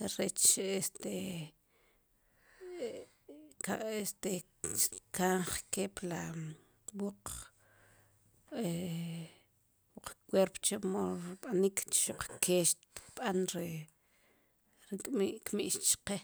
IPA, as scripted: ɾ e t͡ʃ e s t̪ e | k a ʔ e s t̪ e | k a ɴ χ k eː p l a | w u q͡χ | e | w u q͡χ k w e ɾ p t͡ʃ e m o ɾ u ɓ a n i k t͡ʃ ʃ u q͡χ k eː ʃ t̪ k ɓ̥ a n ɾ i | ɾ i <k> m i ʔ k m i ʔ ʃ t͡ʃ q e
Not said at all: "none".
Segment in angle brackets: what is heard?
kʼ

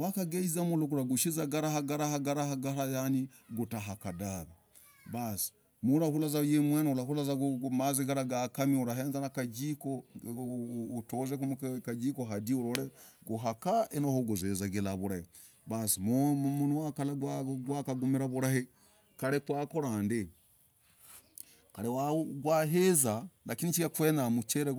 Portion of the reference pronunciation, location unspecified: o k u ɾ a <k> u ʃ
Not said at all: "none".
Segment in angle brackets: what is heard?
ɡ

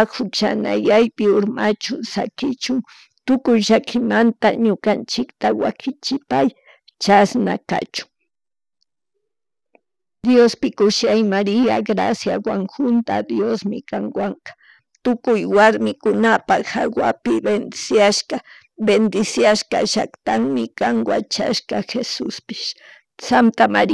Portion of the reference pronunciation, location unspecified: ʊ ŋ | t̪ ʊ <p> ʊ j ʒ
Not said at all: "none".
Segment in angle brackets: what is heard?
k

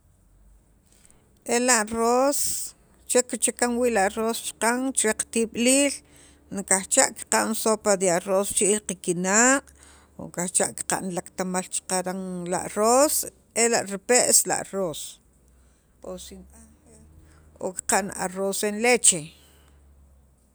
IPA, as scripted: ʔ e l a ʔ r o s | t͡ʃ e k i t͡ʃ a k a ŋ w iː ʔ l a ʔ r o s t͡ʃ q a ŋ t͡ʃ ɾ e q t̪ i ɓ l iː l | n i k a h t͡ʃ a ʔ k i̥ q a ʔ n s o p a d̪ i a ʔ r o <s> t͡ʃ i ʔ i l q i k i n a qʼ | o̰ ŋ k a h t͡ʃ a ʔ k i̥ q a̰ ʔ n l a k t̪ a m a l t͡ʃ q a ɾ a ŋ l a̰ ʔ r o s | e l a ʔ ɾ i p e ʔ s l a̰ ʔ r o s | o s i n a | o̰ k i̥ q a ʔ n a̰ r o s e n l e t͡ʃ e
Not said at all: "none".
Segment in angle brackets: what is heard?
s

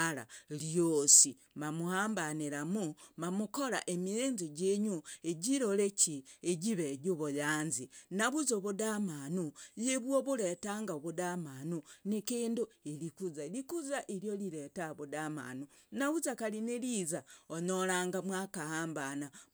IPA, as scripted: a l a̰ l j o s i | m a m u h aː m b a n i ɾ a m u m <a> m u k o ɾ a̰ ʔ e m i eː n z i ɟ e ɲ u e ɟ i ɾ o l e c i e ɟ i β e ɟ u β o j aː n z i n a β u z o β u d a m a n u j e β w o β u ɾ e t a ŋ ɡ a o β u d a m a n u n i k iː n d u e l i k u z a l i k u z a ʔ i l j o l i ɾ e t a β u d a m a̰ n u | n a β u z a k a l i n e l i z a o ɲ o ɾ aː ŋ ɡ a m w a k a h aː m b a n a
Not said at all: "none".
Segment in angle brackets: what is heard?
a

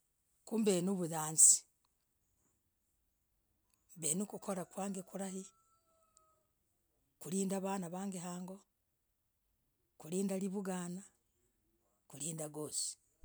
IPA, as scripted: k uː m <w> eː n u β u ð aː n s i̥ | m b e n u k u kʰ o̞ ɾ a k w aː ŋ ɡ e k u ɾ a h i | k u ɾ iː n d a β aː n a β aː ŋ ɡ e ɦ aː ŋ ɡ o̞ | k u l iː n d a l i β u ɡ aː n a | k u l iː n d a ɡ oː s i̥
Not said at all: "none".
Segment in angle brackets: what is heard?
b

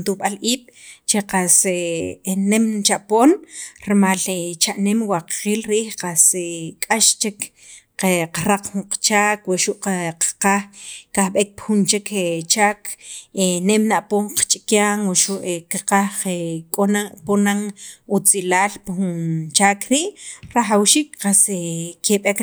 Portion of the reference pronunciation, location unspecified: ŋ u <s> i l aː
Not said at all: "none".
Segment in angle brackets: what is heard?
t͡s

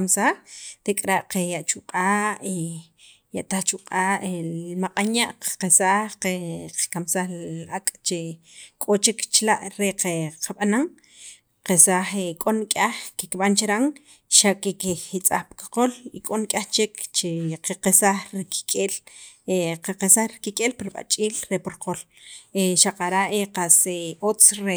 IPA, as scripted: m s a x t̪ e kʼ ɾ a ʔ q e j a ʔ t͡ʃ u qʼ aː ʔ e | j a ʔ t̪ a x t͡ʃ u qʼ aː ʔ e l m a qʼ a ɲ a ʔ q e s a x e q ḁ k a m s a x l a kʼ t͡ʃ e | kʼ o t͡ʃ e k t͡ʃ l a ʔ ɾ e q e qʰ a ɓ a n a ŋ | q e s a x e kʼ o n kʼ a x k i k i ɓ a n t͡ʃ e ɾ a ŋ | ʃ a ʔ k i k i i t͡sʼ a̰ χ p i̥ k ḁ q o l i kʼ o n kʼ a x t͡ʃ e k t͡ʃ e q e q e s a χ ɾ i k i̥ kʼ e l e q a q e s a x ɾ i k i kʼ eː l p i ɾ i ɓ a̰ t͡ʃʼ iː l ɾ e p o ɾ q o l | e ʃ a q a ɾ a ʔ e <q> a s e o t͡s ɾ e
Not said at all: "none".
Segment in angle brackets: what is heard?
q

